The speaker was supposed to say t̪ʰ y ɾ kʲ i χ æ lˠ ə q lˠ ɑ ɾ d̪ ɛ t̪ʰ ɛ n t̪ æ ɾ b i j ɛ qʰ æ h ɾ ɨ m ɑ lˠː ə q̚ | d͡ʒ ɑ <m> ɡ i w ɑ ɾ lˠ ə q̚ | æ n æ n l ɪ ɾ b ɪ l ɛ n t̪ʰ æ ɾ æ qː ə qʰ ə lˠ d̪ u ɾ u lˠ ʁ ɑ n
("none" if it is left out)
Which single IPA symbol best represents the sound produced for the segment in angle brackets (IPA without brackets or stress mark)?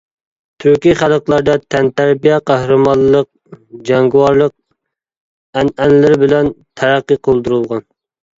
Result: ŋ